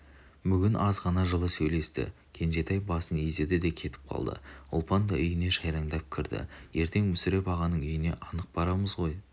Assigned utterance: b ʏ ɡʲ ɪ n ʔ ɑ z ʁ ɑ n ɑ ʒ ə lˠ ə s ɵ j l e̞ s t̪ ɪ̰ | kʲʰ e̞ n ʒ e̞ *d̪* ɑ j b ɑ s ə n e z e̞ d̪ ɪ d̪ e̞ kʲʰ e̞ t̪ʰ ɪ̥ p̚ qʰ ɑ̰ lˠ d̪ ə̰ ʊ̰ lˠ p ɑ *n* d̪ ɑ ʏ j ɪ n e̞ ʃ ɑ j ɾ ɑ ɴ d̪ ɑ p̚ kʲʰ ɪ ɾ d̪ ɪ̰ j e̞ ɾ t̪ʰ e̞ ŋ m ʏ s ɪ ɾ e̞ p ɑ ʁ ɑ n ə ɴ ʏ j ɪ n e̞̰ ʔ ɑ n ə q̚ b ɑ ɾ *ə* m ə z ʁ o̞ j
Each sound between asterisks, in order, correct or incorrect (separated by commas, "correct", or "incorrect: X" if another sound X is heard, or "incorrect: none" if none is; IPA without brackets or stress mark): incorrect: t̪, correct, incorrect: ɑ